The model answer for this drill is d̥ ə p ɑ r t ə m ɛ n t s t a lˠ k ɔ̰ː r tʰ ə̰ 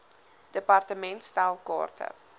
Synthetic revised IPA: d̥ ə p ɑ r t ə m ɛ n t s t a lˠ k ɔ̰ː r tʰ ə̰